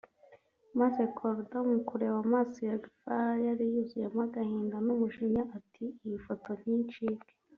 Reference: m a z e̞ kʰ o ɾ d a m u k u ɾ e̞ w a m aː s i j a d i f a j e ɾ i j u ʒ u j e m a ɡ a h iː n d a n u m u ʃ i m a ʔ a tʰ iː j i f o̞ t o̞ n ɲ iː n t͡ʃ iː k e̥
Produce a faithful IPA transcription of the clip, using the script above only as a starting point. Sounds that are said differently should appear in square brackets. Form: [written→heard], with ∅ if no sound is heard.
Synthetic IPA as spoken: m a z e̞ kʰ o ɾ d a m u k u ɾ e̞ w a m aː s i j a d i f a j [e→a] ɾ i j u [ʒ→z] u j e m a ɡ a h iː n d a n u m u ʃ i [m→ɲ] a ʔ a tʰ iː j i f o̞ t o̞ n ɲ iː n t͡ʃ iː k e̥